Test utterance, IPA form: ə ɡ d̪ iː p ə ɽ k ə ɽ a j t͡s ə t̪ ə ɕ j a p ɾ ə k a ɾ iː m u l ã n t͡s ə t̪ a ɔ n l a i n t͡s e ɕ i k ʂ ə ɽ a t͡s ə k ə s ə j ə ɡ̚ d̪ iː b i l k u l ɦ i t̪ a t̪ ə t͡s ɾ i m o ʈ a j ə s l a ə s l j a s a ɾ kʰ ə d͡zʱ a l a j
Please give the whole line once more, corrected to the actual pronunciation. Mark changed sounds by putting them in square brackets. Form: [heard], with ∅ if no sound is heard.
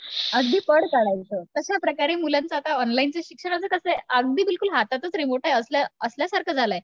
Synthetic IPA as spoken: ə ɡ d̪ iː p ə ɽ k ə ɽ a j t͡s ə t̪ ə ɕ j a p ɾ ə k a ɾ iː m u l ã n t͡s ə t̪ a ɔ n l a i n t͡s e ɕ i k ʂ ə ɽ a t͡s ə k ə s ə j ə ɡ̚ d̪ iː b i l k u l ɦ [a] t̪ a t̪ ə t͡s ɾ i m o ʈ a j ə s l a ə s l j a s a ɾ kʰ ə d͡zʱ a l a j